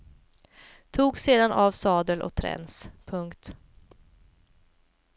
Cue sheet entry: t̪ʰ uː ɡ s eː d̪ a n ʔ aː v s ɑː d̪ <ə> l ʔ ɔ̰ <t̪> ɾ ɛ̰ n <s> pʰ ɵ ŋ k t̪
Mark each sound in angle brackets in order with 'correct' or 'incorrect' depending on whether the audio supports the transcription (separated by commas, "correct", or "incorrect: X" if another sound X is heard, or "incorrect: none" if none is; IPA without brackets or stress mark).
correct, incorrect: t̪ʰ, correct